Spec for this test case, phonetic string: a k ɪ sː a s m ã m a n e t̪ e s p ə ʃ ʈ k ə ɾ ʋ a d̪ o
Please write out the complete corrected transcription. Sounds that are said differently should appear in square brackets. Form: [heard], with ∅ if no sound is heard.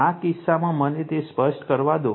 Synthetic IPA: a k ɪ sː a [∅] m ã m [ə] n e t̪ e s p ə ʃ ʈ k ə ɾ ʋ a d̪ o